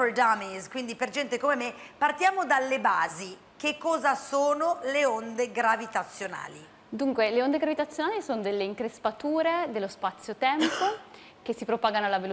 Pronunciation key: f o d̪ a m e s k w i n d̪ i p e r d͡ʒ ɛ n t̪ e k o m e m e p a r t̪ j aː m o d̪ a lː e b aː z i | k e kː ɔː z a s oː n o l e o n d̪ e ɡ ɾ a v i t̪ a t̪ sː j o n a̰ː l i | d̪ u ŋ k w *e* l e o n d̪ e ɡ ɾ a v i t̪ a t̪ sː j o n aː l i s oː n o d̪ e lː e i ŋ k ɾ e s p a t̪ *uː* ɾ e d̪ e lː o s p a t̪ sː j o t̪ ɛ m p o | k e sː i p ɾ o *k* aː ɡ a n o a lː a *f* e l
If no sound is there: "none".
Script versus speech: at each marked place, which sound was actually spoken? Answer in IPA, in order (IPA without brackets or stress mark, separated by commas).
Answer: e, uː, p, v